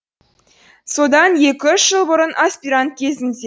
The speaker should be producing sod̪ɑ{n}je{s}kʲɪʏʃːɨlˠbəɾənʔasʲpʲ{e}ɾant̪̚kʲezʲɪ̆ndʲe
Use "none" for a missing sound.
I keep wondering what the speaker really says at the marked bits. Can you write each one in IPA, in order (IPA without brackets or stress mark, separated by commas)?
n, none, i